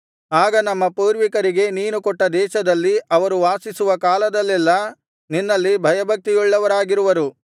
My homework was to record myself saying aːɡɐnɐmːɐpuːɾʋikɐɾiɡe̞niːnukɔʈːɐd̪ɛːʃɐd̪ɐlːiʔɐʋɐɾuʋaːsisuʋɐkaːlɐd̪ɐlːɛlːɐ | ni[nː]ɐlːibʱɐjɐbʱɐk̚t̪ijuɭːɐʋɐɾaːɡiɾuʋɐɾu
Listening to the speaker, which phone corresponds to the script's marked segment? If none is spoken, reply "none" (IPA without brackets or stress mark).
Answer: nː